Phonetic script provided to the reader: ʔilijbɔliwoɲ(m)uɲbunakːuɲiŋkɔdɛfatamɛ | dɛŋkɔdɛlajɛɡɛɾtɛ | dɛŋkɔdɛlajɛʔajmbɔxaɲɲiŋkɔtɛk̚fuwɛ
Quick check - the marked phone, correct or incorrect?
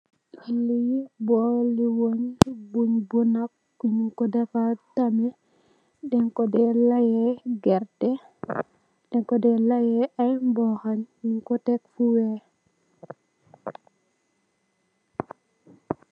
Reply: incorrect